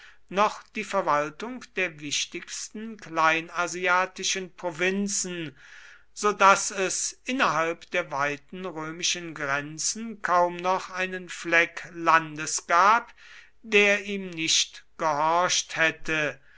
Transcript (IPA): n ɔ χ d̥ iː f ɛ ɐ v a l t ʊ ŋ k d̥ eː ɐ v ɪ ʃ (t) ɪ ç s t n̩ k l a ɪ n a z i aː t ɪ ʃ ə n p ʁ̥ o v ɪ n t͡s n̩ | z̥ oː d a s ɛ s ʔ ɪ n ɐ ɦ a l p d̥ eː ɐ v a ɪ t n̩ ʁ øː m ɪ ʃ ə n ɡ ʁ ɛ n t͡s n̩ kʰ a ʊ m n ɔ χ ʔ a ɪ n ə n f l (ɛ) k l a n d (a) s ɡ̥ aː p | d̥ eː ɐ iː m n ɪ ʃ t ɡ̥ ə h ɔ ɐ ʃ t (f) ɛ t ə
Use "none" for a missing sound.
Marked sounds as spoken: t, ɛ, ə, h

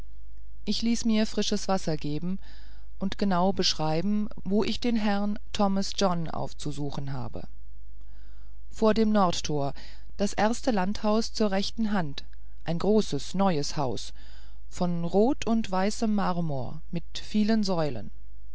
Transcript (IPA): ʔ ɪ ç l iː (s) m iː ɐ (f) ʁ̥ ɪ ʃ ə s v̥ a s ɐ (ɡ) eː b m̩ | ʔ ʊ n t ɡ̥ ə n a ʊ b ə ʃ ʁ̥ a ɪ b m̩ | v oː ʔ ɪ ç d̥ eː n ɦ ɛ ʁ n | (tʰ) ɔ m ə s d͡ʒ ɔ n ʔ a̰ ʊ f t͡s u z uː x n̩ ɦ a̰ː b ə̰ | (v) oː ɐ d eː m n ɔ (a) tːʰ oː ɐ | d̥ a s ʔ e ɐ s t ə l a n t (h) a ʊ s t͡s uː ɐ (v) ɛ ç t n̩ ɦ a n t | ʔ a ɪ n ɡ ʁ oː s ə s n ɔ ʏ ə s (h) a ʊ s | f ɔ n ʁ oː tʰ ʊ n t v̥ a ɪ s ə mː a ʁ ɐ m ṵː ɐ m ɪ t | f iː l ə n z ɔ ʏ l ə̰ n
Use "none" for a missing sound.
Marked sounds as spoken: s, f, ɡ, tʰ, f, ɐ, h, ʁ, h

